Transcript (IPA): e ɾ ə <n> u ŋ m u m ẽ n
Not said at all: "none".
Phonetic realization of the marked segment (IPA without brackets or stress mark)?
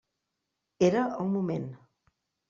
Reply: none